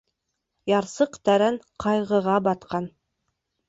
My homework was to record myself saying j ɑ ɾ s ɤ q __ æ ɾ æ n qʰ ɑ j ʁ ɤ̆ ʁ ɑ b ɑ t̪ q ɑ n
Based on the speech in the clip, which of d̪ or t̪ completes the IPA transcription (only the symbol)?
t̪